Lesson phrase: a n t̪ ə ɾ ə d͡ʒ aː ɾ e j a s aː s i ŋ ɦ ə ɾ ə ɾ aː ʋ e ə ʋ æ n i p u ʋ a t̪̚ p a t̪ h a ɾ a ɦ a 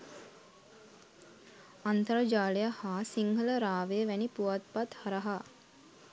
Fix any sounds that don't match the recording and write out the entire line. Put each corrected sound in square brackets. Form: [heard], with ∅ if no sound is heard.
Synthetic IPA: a n t̪ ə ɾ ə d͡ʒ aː [l] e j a [h] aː s i ŋ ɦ ə [l] ə ɾ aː ʋ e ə ʋ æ n i p u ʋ a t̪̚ p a t̪ h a ɾ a ɦ a